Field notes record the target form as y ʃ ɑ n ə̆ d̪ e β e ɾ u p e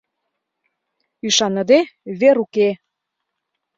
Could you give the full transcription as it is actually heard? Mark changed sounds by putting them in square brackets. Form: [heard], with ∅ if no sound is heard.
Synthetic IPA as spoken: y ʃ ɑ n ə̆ d̪ e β e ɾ u [k] e